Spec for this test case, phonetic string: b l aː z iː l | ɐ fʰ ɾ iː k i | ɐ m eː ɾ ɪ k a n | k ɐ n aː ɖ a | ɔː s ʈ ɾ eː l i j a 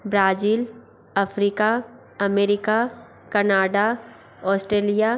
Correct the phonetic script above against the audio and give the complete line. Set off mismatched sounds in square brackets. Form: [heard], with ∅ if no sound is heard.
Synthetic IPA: b [ɾ] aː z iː l | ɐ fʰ ɾ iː k [a] | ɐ m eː ɾ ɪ k a [∅] | k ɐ n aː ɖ a | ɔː s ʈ ɾ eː l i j a